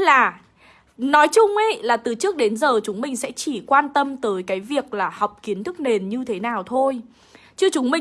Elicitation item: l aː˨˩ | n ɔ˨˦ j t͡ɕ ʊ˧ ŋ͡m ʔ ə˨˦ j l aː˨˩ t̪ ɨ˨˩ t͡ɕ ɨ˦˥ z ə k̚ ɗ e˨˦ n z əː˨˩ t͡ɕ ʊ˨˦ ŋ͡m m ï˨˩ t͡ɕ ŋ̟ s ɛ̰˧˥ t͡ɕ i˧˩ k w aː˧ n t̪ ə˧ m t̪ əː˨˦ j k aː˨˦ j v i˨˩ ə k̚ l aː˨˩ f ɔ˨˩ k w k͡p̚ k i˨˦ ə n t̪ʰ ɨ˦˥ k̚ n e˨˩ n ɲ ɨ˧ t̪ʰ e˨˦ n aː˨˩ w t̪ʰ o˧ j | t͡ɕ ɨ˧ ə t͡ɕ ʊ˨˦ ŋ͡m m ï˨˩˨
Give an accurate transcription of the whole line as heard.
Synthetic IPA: l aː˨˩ | n ɔ˨˦ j t͡ɕ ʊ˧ ŋ͡m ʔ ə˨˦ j l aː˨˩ t̪ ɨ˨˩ t͡ɕ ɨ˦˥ ə k̚ ɗ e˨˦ n z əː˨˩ t͡ɕ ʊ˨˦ ŋ͡m m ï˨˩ ŋ̟ s ɛ̰˧˥ t͡ɕ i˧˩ k w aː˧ n t̪ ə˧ m t̪ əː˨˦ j k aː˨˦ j v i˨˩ ə k̚ l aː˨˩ h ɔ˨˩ w k͡p̚ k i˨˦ ə n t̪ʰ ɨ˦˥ k̚ n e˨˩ n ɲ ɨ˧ t̪ʰ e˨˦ n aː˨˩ w t̪ʰ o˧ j | t͡ɕ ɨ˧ ə t͡ɕ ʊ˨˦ ŋ͡m m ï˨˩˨

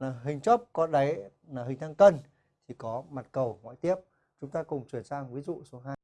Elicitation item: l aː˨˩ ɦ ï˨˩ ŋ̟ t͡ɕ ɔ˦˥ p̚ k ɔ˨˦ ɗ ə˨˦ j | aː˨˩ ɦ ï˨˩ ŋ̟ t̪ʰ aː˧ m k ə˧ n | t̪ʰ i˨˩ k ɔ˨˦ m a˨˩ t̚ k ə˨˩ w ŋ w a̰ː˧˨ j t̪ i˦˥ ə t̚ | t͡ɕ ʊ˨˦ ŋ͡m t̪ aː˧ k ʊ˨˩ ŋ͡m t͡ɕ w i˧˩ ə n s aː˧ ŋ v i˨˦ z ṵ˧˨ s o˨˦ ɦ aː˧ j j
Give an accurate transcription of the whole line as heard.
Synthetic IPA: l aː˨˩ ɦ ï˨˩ ŋ̟ t͡ɕ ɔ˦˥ p̚ k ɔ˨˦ ɗ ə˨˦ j | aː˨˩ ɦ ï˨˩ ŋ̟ t̪ʰ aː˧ ŋ k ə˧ n | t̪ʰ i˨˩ k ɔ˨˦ m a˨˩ t̚ k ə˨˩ w ŋ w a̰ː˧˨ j t̪ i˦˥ ə p̚ | t͡ɕ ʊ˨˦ ŋ͡m t̪ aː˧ k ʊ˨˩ ŋ͡m t͡ɕ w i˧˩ ə n s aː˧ ŋ v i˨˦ z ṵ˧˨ s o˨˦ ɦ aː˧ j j

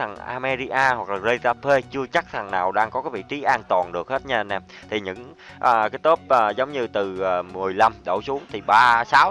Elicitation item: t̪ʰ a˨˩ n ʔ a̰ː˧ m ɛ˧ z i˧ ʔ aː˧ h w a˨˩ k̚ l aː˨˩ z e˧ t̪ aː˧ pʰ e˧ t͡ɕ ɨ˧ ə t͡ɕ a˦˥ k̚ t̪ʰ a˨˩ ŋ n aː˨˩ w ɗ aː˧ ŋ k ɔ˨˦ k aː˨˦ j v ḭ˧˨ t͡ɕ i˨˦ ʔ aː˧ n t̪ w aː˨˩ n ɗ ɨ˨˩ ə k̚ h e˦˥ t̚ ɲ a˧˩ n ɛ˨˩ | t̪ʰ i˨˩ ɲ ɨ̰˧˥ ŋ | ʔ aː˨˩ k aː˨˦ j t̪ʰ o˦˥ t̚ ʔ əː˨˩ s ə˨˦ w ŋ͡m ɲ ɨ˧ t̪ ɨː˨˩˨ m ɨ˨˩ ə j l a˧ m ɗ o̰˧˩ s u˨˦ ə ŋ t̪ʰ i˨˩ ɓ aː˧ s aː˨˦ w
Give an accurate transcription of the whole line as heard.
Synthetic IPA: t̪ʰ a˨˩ ŋ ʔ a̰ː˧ m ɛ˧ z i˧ ʔ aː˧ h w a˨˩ k̚ l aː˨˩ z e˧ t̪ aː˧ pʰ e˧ t͡ɕ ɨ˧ ə t͡ɕ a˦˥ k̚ t̪ʰ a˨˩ ŋ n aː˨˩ w ɗ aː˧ ŋ k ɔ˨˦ k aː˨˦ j v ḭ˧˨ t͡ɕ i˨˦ ʔ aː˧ n t̪ w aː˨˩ n ɗ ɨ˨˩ ə k̚ h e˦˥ t̚ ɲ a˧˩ n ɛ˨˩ | t̪ʰ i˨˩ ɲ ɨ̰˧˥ ŋ | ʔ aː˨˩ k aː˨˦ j t̪ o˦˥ p̚ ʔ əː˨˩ z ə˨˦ w ŋ͡m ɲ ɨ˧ t̪ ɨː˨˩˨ m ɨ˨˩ ə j l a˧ m ɗ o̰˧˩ s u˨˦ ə ŋ t̪ʰ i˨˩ ɓ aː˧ s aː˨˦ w

